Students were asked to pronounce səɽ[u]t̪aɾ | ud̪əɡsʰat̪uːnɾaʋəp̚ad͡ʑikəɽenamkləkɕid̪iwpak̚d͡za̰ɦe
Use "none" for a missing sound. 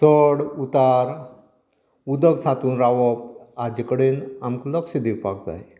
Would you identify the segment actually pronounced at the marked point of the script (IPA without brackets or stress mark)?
u